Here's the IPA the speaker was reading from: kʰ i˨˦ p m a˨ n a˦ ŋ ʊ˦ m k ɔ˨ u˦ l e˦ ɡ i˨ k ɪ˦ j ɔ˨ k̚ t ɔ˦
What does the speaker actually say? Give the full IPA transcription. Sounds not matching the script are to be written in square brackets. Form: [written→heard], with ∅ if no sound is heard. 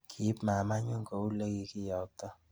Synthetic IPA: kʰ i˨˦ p m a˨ [n→m] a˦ [ŋ→ɲ] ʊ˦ [m→ŋ] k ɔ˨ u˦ l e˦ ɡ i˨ k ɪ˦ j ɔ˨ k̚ t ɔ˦